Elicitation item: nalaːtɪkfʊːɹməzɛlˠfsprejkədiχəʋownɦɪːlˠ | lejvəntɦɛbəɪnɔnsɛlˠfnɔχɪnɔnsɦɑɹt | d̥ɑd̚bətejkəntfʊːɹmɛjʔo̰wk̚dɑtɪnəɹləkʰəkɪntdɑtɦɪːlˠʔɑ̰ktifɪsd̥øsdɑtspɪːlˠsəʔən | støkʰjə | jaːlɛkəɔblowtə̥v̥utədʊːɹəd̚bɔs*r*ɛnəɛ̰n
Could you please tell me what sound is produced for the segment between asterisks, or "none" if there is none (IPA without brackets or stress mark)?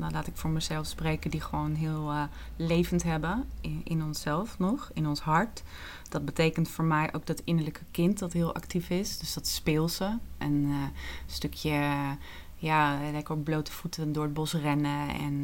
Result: r